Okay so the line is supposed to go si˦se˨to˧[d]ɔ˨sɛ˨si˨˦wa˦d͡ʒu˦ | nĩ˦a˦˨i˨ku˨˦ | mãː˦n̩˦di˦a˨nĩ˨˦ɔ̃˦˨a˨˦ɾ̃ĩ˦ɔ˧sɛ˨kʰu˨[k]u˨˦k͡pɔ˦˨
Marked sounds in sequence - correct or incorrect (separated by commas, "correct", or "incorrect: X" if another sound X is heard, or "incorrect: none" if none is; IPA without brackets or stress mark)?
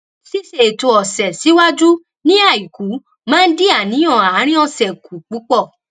incorrect: none, incorrect: k͡p